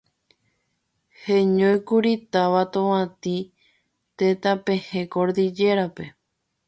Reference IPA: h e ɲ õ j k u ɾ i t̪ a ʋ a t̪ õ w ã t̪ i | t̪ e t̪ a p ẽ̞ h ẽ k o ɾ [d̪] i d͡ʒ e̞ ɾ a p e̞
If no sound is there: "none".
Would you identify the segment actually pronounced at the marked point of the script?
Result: d̪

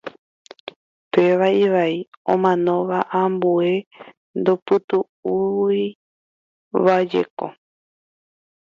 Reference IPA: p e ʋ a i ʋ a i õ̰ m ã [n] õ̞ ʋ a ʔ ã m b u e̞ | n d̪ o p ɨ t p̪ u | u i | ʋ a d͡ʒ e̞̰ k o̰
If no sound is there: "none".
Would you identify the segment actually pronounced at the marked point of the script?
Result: n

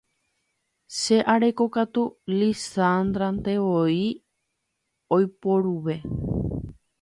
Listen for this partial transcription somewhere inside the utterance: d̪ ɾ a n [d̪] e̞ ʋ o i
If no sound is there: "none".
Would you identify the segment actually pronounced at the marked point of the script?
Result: t̪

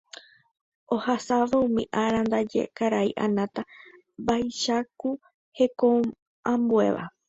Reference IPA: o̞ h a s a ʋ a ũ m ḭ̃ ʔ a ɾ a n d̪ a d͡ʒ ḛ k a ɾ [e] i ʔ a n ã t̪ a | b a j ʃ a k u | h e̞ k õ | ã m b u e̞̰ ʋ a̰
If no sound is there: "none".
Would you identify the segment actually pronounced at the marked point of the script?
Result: a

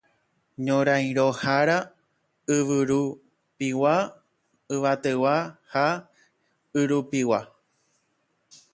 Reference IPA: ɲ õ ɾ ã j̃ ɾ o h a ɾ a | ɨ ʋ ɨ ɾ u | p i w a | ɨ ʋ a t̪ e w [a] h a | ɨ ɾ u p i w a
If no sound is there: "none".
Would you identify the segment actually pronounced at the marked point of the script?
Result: a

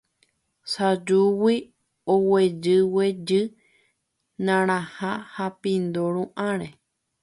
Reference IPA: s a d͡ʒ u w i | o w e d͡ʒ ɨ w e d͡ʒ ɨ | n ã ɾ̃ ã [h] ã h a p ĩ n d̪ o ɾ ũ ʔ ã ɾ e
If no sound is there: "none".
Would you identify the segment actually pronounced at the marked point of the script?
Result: h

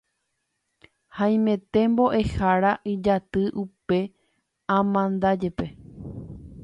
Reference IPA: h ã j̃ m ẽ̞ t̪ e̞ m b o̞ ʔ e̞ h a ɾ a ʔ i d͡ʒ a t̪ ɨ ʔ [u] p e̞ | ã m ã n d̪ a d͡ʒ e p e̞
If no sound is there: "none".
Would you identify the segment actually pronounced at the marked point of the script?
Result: u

